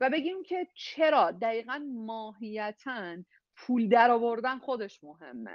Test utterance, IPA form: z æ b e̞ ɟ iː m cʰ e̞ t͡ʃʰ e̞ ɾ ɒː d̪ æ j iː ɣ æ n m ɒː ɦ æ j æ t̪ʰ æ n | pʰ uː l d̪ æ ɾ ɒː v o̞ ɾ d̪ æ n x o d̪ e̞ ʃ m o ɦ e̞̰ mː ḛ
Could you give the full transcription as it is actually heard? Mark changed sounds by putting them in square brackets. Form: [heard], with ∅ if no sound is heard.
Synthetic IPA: [v] æ b e̞ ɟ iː m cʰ e̞ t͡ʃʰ e̞ ɾ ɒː d̪ æ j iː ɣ æ n m ɒː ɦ [i] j æ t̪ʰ æ n | pʰ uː l d̪ æ ɾ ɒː v o̞ ɾ d̪ æ n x o d̪ e̞ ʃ m o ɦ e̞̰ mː ḛ